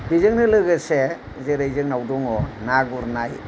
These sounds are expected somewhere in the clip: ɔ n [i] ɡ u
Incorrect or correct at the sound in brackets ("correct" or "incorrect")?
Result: incorrect